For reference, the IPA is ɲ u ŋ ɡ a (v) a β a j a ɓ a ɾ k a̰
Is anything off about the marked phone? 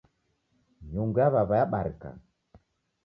yes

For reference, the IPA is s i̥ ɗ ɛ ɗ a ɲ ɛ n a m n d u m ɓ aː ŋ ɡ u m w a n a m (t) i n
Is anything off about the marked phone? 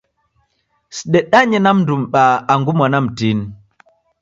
no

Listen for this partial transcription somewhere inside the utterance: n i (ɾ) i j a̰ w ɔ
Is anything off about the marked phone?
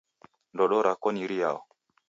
no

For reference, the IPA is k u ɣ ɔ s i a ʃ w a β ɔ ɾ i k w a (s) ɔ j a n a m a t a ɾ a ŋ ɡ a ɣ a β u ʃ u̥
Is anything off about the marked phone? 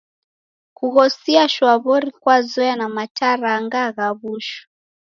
yes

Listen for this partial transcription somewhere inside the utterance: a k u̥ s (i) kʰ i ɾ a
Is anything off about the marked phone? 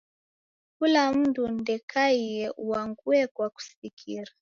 no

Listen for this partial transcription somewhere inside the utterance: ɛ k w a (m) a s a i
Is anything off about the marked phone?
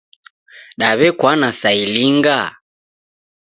yes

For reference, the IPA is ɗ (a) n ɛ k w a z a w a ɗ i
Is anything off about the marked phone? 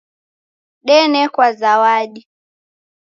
yes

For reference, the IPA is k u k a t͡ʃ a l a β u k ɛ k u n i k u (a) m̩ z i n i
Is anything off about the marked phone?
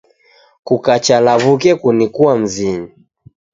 no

